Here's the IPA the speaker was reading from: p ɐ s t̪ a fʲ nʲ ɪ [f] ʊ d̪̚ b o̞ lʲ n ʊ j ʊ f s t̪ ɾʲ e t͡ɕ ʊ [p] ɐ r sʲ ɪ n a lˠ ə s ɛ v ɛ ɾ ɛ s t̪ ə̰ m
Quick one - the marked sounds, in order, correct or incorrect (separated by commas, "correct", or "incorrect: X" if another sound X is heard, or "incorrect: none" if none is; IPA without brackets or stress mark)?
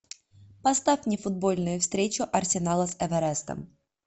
correct, incorrect: ʔ